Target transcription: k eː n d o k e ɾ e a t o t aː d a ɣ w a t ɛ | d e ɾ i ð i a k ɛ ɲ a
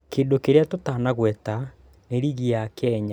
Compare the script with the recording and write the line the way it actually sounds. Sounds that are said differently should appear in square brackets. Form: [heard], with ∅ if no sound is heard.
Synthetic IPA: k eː n d o k e ɾ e a t o t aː [n] a ɣ w [ɛ] t [a] | [n] e ɾ i [ɣ] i a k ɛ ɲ a